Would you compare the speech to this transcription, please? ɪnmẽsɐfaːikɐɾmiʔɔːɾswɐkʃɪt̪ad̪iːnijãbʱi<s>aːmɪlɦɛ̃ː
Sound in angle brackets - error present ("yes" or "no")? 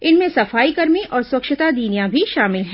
yes